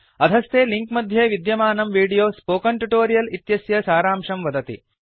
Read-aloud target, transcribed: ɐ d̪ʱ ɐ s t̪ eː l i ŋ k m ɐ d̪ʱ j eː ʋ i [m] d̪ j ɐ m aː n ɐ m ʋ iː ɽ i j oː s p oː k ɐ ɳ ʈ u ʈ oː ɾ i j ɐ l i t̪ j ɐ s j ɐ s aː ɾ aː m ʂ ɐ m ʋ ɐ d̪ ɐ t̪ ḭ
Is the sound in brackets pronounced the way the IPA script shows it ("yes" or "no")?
no